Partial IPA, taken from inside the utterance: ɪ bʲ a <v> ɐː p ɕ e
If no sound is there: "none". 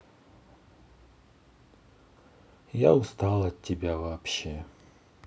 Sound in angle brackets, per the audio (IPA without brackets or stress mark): v